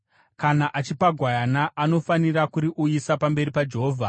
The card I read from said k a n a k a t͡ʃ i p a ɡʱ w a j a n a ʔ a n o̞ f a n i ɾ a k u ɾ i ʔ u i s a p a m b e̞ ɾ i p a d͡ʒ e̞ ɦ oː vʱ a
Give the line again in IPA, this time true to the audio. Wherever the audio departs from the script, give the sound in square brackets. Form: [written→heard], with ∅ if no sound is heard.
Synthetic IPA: k a n a [k→ʔ] a t͡ʃ i p a ɡʱ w a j a n a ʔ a n o̞ f a n i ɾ a k u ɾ i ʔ u i s a p a m b e̞ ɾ i p a d͡ʒ e̞ ɦ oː vʱ a